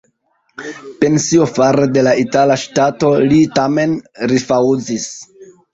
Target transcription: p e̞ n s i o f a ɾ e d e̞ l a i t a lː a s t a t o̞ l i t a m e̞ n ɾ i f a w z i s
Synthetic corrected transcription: p e̞ n s i o f a ɾ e d e̞ l a i t a l a ʃ t a t o̞ l i t a m e̞ n ɾ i f a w z i s

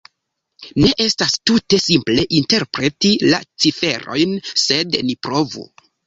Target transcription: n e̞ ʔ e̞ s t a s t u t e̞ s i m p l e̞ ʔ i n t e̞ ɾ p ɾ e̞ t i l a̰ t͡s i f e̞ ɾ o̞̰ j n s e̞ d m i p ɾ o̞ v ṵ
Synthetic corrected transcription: n e̞ ʔ e̞ s t a s t u t e̞ s i m p l e̞ ʔ i n t e̞ ɾ p ɾ e̞ t i l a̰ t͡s i f e̞ ɾ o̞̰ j n s e̞ d n i p ɾ o̞ v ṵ

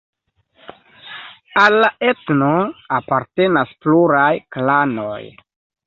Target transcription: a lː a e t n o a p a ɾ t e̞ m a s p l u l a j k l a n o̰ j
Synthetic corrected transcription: a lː a e t n o a p a ɾ t e̞ n a s p l u ɾ a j k l a n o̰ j

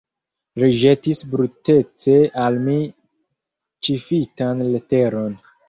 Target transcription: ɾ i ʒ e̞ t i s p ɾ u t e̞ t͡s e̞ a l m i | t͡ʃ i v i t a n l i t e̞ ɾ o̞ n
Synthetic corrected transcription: ɾ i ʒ e̞ t i s b ɾ u t e̞ t͡s e̞ a l m i | t͡ʃ i f i t a n l e t e̞ ɾ o̞ n

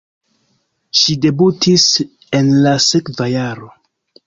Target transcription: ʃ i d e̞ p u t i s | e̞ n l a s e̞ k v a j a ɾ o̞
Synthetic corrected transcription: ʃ i d e̞ b u t i s | e̞ n l a s e̞ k v a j a ɾ o̞

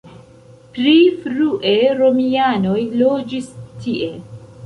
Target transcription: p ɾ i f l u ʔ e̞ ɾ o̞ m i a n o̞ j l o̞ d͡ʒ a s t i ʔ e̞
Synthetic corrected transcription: p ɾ i f ɾ u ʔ e̞ ɾ o̞ m i a n o̞ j l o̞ d͡ʒ i s t i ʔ e̞

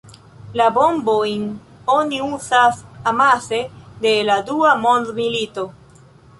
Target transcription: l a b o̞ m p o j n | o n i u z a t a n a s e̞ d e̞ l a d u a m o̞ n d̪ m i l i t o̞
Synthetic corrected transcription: l a b o̞ m b o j n | o n i u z a s a m a s e̞ d e̞ l a d u a m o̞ n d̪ m i l i t o̞

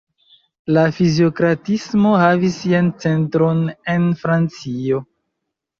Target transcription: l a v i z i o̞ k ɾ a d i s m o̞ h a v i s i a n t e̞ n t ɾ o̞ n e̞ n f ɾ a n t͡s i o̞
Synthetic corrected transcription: l a f i z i o̞ k ɾ a t i s m o̞ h a v i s i a n t͡s e̞ n t ɾ o̞ n e̞ n f ɾ a n t͡s i o̞

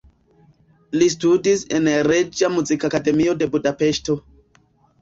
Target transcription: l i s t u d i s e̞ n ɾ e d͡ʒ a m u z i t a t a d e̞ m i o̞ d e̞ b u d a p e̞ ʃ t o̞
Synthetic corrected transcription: l i s t u d i s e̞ n ɾ e d͡ʒ a m u z i k a k a d e̞ m i o̞ d e̞ b u d a p e̞ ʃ t o̞

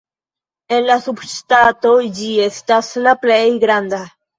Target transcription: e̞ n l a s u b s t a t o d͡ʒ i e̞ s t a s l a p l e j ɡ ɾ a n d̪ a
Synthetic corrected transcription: e̞ n l a s u b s t a t o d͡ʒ i e̞ s t a s l a p l e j ɡ ɾ a n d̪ a

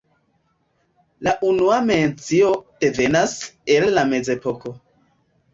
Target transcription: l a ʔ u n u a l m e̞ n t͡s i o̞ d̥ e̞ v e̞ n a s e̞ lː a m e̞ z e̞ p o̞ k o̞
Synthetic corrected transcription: l a ʔ u n u a m e̞ n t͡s i o̞ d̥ e̞ v e̞ n a s e̞ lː a m e̞ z e̞ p o̞ k o̞

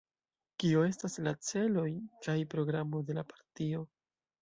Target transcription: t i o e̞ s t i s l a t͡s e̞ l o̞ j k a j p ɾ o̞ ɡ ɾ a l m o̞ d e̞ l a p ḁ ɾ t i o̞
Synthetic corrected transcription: k i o e̞ s t a s l a t͡s e̞ l o̞ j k a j p ɾ o̞ ɡ ɾ a m o̞ d e̞ l a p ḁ ɾ t i o̞

